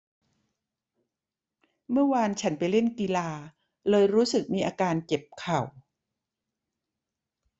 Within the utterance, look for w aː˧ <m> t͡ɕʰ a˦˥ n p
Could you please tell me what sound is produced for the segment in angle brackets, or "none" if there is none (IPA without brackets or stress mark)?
n